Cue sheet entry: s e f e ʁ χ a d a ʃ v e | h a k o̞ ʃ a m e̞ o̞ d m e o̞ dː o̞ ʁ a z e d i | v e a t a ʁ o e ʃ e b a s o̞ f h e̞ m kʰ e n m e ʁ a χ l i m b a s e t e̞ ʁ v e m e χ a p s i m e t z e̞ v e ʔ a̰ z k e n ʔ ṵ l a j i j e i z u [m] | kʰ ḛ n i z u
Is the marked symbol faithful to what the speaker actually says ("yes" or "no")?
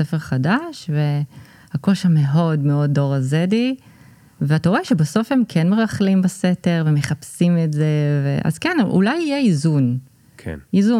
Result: no